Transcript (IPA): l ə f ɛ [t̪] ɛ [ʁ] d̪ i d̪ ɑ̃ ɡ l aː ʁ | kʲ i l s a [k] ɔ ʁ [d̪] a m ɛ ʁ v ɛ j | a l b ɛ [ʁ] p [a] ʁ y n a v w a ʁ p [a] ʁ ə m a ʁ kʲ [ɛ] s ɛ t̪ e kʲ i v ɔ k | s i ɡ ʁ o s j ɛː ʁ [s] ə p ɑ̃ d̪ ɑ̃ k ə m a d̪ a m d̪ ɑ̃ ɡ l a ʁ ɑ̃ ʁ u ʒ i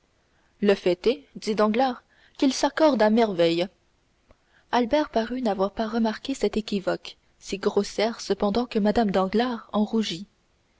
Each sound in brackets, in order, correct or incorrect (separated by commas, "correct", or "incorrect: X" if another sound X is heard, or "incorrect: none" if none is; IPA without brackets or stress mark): correct, incorrect: none, correct, correct, correct, correct, correct, incorrect: e, correct